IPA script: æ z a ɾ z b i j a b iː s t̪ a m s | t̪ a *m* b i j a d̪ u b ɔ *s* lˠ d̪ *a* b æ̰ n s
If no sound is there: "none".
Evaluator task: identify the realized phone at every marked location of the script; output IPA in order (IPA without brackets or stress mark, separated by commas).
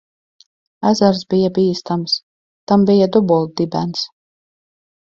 m, none, i